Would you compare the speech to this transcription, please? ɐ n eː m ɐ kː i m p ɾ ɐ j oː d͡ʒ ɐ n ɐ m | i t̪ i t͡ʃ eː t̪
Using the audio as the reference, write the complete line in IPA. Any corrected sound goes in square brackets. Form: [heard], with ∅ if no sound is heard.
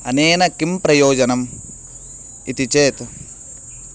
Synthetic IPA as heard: ɐ n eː [n] ɐ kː i m p ɾ ɐ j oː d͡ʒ ɐ n ɐ m | i t̪ i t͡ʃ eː t̪